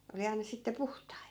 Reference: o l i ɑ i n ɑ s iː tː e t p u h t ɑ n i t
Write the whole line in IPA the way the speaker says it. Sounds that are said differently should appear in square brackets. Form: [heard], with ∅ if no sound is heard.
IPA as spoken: o l i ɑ i n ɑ s [i] tː e [∅] p u h t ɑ [∅] i t